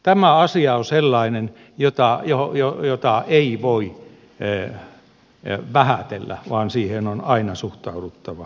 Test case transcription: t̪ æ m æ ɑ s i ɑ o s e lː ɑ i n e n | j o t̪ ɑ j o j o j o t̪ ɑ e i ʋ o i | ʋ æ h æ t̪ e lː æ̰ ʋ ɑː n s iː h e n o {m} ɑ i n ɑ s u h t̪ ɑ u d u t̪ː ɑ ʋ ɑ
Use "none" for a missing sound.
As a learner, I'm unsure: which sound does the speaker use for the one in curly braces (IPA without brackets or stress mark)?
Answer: n